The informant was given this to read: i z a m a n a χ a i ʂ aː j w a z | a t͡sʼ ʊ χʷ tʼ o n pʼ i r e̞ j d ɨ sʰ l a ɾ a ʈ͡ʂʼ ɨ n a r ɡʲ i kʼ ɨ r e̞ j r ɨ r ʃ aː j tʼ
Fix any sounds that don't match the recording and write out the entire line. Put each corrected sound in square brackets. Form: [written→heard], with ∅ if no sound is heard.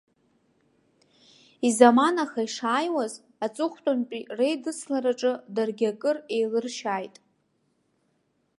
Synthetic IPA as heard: i z a m a n a χ a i ʂ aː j w a z | a t͡sʼ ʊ χʷ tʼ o n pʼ i r e̞ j d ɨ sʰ l a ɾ a ʈ͡ʂʼ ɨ [n→d] a r ɡʲ [i→a] kʼ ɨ r e̞ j [r→l] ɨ r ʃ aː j tʼ